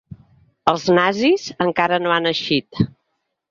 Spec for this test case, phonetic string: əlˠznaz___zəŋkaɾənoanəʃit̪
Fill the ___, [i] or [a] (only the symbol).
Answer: i